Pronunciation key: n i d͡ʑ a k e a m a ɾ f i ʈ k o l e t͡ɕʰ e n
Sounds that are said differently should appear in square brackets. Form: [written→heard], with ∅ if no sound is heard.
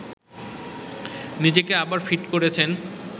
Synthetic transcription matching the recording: n i d͡ʑ [a→e] k e a [m→b] a ɾ f i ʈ k o [l→ɾ] e t͡ɕʰ e n